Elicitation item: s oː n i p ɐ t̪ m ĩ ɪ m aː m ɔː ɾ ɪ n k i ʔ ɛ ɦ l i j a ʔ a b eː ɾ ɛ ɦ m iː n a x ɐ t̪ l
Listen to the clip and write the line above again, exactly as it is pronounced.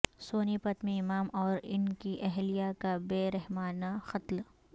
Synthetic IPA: s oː n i p ɐ t̪ m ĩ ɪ m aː m ɔː ɾ ɪ n k i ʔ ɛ ɦ l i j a k a b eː ɾ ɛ ɦ m aː n a x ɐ t̪ l